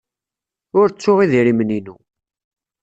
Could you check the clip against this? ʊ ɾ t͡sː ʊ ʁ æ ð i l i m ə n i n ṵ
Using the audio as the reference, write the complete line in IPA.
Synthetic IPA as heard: ʊ ɾ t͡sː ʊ ʁ i ð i ɾ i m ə n i n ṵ